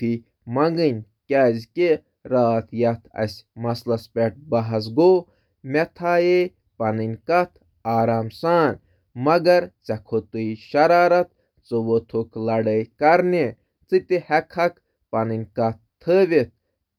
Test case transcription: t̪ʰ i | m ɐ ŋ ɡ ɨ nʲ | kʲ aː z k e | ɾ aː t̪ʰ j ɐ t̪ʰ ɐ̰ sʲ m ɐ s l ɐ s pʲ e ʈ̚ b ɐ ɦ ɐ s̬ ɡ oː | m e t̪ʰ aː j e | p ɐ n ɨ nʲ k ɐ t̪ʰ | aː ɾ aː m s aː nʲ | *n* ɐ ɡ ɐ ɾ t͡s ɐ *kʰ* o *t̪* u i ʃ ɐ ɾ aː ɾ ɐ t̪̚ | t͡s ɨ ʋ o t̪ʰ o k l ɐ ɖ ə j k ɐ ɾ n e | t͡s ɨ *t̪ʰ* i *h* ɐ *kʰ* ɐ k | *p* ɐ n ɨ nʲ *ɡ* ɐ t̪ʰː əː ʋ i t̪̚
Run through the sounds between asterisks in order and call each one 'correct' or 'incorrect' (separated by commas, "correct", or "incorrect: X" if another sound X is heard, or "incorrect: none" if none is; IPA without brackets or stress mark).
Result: incorrect: m, correct, correct, incorrect: t̪, correct, correct, correct, incorrect: k